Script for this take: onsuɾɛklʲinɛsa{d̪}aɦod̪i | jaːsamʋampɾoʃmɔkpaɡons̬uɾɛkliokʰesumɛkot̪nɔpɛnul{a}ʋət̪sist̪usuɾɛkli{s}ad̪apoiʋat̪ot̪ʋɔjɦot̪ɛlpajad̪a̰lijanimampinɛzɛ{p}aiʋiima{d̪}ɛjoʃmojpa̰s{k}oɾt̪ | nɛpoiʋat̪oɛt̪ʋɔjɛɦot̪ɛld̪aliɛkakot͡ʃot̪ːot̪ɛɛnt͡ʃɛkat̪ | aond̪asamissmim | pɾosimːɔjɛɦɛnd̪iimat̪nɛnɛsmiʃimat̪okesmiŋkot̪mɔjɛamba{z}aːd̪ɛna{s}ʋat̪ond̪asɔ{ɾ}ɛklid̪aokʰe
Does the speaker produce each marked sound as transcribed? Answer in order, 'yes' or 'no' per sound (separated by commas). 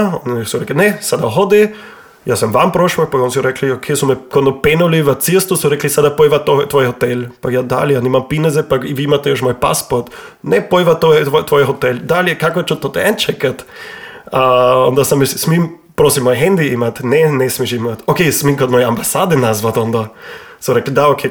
yes, no, yes, yes, no, no, no, no, yes